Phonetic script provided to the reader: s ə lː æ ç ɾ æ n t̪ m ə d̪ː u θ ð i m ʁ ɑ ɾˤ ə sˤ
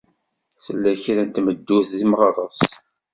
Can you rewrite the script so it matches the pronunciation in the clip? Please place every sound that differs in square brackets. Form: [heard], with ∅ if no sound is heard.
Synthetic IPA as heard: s ə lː æ ç ɾ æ n t̪ m ə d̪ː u θ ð i m ʁ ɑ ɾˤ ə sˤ